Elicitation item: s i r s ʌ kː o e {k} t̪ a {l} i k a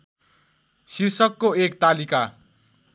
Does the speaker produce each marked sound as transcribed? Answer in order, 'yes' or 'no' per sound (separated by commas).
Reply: yes, yes